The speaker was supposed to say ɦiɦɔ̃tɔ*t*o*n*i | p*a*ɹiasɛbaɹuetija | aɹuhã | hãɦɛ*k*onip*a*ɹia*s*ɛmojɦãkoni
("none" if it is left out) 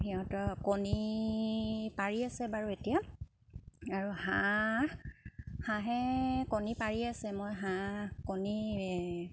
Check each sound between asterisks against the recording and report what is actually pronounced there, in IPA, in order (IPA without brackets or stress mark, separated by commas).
k, n, a, k, a, s